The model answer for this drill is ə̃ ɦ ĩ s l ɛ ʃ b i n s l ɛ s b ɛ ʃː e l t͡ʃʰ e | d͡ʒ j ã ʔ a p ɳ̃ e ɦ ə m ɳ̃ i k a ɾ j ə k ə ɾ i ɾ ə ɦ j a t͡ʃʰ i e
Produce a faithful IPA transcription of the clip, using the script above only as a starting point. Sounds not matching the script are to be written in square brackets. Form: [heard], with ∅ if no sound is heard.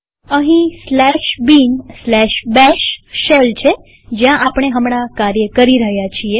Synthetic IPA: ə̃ ɦ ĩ s l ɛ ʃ b i n s l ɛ [ʃ] b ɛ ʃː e l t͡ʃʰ e | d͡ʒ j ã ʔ a p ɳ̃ e ɦ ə m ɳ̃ [a] k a ɾ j ə k ə ɾ i ɾ ə ɦ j a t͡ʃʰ i e